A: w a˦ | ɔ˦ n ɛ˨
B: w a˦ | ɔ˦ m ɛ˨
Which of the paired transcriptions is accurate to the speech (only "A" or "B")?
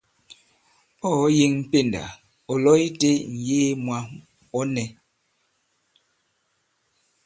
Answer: A